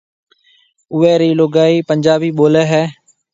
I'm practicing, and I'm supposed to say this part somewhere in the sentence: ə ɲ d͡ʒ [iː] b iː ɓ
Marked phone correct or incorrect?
incorrect